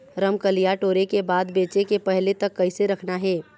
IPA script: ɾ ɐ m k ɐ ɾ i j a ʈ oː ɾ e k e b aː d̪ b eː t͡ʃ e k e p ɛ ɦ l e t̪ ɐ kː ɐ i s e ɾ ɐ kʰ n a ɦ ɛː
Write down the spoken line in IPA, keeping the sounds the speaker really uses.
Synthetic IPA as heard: ɾ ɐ m k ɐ l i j a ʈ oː ɾ e k e b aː d̪ b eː t͡ʃ e k e p ɛ ɦ l e t̪ ɐ kː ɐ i s e ɾ ɐ kʰ n a ɦ ɛː